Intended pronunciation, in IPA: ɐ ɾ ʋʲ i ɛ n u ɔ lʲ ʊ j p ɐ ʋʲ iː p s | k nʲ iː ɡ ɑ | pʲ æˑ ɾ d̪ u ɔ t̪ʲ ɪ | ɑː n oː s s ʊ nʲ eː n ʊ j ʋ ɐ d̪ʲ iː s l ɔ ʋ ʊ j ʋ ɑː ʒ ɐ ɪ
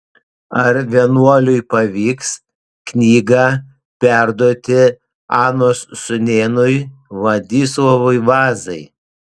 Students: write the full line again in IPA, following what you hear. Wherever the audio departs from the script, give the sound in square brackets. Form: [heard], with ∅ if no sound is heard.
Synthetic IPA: ɐ ɾ ʋʲ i ɛ n u ɔ lʲ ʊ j p ɐ ʋʲ iː [k] s | k nʲ iː ɡ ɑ | pʲ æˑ ɾ d̪ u ɔ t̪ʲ ɪ | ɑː n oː s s ʊ nʲ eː n ʊ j ʋ ɐ d̪ʲ iː s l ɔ ʋ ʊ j ʋ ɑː [z] ɐ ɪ

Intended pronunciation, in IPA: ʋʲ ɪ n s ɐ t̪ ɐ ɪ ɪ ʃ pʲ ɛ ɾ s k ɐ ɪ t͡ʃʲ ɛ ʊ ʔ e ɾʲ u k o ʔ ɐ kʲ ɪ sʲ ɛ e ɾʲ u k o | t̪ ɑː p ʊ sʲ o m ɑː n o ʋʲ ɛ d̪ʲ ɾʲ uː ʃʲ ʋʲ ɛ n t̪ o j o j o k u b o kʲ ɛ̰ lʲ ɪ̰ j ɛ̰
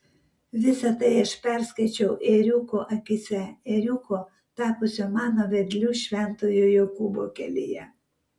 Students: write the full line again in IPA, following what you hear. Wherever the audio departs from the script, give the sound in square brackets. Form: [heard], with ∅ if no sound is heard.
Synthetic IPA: ʋʲ ɪ [∅] s ɐ t̪ ɐ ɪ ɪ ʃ pʲ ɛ ɾ s k ɐ ɪ t͡ʃʲ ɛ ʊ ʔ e ɾʲ u k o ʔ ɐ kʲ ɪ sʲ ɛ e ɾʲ u k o | t̪ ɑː p ʊ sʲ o m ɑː n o ʋʲ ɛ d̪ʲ [lʲ] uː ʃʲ ʋʲ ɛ n t̪ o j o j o k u b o kʲ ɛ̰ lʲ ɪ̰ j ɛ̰

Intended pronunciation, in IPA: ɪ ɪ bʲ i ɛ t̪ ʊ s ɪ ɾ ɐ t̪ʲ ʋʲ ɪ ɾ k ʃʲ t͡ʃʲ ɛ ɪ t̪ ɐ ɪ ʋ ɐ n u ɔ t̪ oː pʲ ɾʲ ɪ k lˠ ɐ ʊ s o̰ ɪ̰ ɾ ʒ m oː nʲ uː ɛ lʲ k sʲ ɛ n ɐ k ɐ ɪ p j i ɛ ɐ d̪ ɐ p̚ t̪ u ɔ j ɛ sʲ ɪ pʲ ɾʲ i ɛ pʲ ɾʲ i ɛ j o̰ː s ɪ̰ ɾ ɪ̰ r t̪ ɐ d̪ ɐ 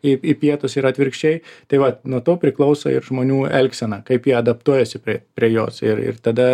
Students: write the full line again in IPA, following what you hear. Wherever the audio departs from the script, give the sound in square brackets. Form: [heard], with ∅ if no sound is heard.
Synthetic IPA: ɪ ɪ [pʲ] i ɛ t̪ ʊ s ɪ ɾ ɐ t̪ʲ ʋʲ ɪ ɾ k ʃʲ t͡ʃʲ ɛ ɪ t̪ ɐ ɪ ʋ ɐ n u ɔ t̪ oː pʲ ɾʲ ɪ k lˠ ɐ ʊ s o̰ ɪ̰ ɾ ʒ m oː nʲ uː ɛ lʲ k sʲ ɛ n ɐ k ɐ ɪ p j i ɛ ɐ d̪ ɐ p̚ t̪ u ɔ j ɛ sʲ ɪ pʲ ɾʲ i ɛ pʲ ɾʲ i ɛ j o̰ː s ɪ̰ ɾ ɪ̰ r t̪ ɐ d̪ ɐ

